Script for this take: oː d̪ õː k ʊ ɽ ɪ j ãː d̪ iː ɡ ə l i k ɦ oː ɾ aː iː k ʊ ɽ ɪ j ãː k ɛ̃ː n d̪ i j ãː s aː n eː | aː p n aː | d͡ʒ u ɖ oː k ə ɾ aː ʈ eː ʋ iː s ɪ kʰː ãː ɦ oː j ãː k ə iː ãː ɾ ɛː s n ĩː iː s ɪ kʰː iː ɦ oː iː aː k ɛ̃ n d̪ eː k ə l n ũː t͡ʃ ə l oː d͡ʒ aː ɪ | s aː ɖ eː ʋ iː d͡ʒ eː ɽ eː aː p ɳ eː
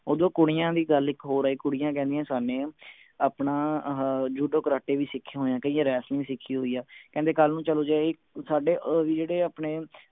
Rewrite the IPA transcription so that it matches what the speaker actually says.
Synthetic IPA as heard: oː d̪ õː k ʊ ɽ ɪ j ãː d̪ iː ɡ ə l ɪ k ɦ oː ɾ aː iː k ʊ ɽ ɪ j ãː k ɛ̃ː n d̪ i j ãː s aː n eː | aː p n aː | d͡ʒ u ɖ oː k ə ɾ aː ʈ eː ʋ iː s ɪ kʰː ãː ɦ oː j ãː k ə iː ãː ɾ ɛː s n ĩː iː s ɪ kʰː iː ɦ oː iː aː k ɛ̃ n d̪ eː k ə l n ũː t͡ʃ ə l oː d͡ʒ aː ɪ | s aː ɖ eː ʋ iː d͡ʒ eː ɽ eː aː p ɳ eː